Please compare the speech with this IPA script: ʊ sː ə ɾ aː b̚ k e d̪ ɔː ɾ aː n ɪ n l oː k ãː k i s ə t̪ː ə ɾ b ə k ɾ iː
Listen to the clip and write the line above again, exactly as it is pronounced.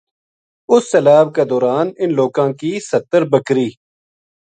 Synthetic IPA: ʊ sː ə l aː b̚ k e d̪ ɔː ɾ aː n ɪ n l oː k ãː k i s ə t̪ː ə ɾ b ə k ɾ iː